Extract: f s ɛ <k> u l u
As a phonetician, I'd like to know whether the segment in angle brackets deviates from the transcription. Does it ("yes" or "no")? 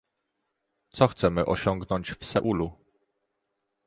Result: yes